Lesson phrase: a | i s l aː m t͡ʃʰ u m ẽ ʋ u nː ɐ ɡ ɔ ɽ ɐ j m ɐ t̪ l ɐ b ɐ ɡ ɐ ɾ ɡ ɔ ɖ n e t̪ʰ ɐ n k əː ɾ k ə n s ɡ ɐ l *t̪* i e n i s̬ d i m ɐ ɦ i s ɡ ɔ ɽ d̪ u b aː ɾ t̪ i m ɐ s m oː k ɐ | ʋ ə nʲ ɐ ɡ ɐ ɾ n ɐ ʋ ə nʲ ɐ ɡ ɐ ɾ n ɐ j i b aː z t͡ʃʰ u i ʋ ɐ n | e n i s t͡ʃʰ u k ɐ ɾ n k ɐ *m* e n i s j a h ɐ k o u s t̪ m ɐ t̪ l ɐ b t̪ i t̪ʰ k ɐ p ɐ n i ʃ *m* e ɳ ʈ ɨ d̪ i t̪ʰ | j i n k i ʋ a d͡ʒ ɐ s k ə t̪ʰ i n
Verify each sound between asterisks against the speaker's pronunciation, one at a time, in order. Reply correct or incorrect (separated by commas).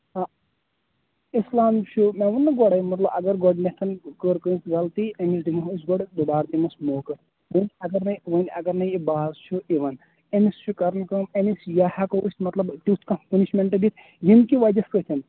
correct, correct, correct